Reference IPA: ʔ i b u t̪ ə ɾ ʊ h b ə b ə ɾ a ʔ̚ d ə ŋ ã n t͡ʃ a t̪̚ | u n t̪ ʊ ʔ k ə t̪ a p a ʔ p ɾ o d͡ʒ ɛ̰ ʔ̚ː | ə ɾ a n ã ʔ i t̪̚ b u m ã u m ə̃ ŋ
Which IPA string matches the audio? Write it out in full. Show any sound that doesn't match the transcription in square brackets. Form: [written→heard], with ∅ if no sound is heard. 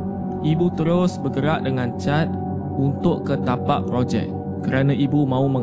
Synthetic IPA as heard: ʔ i b u t̪ ə ɾ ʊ [h→s] b ə [b→ɡ] ə ɾ a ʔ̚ d ə ŋ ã n t͡ʃ a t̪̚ | u n t̪ ʊ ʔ k ə t̪ a p a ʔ p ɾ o d͡ʒ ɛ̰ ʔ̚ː | ə ɾ a n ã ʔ i [t̪̚→∅] b u m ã u m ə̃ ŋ